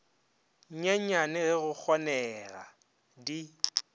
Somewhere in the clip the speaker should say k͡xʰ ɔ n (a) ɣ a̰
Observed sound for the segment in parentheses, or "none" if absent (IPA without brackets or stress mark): ɛ